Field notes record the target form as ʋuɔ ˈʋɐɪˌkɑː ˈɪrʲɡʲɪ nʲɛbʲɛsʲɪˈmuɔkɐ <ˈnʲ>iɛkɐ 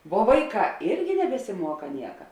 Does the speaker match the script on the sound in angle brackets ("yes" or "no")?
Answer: yes